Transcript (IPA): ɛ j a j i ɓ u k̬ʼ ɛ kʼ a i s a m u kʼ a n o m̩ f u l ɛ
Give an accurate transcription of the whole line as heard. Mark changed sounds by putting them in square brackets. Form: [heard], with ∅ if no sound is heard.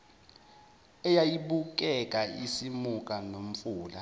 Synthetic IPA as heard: ɛ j a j i ɓ u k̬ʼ ɛ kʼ a i s [i] m u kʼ a n o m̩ f [uː] l [a]